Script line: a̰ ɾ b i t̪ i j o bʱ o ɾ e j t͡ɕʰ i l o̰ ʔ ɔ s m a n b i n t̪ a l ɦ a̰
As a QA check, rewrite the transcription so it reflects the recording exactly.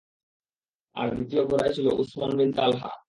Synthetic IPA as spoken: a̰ ɾ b i t̪ i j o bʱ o ɾ a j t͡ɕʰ i l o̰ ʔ u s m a n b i n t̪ a l ɦ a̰